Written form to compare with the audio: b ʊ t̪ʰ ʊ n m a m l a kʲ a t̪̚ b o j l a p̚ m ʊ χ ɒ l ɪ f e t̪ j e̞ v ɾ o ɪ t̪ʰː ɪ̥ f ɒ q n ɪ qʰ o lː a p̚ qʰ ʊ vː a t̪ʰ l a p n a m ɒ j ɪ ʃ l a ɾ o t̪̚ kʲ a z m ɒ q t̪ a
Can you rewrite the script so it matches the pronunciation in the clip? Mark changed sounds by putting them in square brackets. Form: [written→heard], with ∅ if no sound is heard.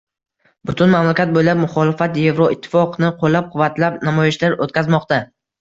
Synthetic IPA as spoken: b ʊ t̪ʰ ʊ n m a m l a kʲ a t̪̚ b o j l a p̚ m ʊ χ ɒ l ɪ f [e→a] t̪ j e̞ v ɾ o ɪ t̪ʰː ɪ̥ f ɒ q n ɪ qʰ o lː a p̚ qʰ ʊ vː a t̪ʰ l a p n a m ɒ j ɪ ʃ l a ɾ o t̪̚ kʲ a z m ɒ q t̪ a